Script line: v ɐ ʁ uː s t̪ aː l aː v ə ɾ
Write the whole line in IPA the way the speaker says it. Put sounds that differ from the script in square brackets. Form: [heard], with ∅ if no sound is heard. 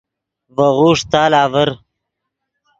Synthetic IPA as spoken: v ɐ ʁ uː [ʂ] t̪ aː l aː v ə ɾ

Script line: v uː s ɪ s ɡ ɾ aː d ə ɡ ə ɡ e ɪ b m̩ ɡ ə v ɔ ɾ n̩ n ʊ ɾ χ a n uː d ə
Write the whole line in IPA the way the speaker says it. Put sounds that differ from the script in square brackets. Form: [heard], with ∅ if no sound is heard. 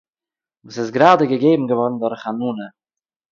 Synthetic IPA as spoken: v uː s ɪ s ɡ ɾ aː d ə ɡ ə ɡ e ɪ b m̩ ɡ ə v ɔ ɾ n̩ [d] ʊ ɾ χ a n uː [n] ə

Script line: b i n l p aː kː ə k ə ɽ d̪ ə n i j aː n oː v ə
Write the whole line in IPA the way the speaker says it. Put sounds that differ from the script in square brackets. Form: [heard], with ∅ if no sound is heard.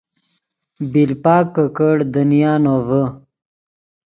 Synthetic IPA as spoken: b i [∅] l p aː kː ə k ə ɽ d̪ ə n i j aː n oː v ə

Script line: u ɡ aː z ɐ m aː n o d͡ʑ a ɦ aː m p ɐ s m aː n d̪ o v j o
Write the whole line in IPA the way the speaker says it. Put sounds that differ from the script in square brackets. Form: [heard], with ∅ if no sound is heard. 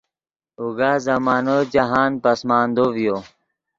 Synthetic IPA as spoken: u ɡ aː z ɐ m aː n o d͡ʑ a ɦ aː [n] p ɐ s m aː n d̪ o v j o

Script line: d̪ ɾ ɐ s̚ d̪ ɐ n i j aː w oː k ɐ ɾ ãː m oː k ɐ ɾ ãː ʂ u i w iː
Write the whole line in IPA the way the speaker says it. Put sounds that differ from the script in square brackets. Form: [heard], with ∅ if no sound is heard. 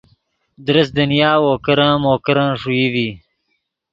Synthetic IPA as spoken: d̪ ɾ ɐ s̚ d̪ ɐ n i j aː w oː k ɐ ɾ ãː m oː k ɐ ɾ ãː ʂ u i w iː

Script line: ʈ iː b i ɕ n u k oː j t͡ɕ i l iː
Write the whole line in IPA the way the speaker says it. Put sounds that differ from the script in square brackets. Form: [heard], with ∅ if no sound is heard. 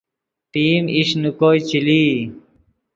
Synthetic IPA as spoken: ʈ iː [m] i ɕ n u k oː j t͡ɕ i l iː

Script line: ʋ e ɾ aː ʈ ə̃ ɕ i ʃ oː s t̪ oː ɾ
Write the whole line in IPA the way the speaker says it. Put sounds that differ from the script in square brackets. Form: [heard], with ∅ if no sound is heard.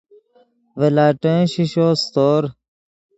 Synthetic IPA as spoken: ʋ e [l] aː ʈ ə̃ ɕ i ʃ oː s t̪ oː ɾ

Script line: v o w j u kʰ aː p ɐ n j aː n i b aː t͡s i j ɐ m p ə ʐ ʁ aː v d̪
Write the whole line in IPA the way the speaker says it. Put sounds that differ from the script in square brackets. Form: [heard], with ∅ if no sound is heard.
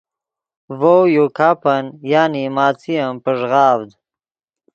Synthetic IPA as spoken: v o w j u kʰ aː p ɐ n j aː n i [m] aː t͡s i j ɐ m p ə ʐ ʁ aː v d̪

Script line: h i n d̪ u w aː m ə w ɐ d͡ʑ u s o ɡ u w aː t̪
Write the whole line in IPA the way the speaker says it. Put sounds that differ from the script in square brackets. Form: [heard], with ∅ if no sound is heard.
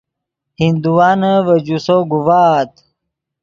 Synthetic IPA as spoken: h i n d̪ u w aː [n] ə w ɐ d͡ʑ u s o ɡ u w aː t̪

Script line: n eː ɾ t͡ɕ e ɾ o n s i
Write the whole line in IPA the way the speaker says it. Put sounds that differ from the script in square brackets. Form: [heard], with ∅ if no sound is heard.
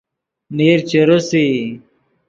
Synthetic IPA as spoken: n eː ɾ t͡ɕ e ɾ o [∅] s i

